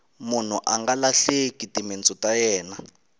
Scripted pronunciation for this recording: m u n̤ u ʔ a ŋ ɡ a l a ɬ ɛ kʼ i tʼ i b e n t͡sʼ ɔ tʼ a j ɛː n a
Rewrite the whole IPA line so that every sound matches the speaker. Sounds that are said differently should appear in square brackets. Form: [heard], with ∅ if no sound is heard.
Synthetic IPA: m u n̤ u ʔ a ŋ ɡ a l a ɬ [e] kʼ i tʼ i [m] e n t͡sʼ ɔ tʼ a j ɛː n a